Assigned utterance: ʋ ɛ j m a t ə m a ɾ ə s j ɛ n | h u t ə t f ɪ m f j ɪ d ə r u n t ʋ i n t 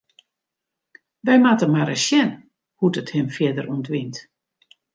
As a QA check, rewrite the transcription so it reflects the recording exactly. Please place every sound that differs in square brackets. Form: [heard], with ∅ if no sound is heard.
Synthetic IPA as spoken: ʋ ɛ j m a t ə m a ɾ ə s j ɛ n | h u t ə t [h] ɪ m f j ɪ d ə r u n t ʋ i n t